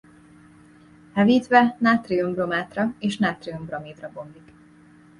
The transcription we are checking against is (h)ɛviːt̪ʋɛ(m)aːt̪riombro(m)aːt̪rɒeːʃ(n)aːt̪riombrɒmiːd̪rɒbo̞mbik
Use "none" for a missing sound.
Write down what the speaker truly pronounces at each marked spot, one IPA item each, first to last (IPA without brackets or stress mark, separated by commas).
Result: h, n, m, n